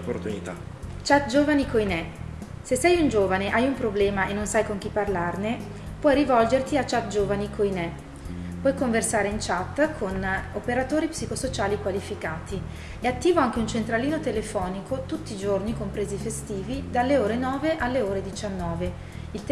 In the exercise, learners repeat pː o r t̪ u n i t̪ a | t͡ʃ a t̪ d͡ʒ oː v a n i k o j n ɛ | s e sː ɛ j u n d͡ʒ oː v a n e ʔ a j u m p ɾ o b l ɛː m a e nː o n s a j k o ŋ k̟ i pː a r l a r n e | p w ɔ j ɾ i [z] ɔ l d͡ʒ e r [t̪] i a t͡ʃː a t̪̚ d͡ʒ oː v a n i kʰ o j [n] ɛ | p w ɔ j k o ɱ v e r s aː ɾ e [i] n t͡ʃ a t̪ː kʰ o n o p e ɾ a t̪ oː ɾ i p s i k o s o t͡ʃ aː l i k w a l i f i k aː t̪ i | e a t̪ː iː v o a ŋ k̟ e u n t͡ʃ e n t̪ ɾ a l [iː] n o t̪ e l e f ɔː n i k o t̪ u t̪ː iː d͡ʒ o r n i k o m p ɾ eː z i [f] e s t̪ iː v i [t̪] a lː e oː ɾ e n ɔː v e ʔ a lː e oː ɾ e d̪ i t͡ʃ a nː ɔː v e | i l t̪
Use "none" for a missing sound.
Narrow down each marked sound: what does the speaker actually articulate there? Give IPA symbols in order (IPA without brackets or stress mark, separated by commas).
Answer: v, t̪, n, i, iː, f, d̪